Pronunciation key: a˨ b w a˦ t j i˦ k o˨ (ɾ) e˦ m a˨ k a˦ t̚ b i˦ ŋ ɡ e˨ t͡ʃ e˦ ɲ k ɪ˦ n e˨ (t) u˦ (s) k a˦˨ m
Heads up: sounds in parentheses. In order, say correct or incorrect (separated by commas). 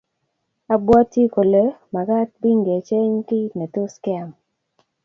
incorrect, correct, correct